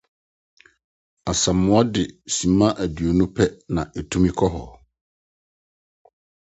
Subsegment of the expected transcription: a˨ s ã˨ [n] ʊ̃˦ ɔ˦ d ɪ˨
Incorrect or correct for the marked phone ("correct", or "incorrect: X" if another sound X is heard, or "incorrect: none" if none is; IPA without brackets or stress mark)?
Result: incorrect: m